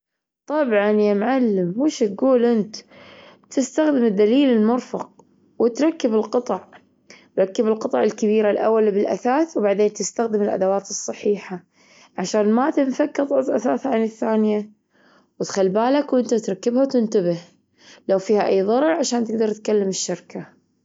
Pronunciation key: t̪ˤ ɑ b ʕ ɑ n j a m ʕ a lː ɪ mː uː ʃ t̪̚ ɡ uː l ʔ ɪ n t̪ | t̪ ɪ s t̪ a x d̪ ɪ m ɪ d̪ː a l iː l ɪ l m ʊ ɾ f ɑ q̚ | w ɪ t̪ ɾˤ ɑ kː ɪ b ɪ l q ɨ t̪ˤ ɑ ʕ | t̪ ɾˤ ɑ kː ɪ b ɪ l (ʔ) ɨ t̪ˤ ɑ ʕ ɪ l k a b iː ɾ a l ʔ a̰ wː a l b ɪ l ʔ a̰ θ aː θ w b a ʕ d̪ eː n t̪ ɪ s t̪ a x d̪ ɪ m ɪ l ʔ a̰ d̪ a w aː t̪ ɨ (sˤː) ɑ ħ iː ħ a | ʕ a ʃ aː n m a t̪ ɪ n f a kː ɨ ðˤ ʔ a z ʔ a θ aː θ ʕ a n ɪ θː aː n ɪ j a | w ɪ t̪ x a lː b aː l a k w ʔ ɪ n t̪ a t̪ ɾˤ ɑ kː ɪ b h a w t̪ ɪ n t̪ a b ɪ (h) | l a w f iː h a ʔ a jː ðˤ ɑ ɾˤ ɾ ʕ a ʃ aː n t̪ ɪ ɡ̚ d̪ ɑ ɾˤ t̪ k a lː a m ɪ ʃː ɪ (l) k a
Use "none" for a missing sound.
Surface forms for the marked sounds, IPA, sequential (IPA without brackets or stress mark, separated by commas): q, sˤː, h, ɾ